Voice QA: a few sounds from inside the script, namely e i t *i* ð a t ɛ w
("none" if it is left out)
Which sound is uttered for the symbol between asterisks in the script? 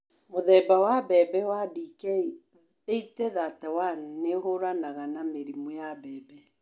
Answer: ɛ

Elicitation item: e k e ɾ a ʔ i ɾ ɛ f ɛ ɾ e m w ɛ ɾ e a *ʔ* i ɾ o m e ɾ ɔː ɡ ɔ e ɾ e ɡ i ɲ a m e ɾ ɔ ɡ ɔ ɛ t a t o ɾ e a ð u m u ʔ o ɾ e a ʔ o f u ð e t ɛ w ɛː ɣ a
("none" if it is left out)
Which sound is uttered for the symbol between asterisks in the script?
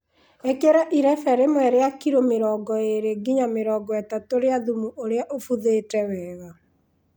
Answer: k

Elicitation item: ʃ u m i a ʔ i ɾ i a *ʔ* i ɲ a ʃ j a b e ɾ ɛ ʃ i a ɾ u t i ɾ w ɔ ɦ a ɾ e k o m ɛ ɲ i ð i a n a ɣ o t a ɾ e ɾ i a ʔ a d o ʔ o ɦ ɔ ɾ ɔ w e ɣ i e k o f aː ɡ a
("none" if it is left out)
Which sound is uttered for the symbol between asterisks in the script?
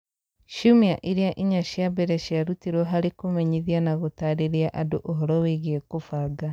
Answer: ʔ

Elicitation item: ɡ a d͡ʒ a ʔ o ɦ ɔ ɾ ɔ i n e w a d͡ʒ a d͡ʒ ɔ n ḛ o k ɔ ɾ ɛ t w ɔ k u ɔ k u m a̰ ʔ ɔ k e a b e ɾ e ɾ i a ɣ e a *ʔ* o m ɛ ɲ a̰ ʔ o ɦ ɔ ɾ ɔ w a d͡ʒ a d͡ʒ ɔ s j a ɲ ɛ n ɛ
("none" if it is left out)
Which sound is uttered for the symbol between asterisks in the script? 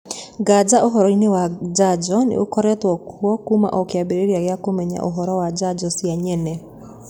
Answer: k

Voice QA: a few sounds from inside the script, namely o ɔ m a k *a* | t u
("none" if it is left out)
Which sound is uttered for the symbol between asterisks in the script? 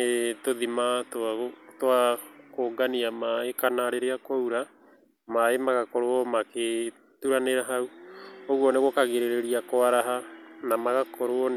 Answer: e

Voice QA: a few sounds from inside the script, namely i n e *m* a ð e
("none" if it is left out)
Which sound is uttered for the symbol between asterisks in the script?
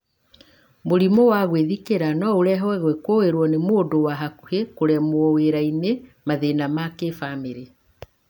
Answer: m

